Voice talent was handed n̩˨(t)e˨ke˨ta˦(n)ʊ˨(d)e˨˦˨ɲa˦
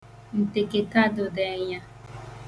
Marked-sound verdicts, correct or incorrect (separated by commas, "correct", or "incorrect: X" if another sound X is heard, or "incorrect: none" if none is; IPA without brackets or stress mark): correct, incorrect: d, correct